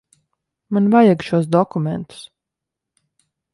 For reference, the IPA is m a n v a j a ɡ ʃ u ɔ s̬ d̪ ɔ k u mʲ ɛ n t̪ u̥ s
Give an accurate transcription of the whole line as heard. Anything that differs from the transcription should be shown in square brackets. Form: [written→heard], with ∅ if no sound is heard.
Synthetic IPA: m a n v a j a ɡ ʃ u ɔ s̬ d̪ ɔ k u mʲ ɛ n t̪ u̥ s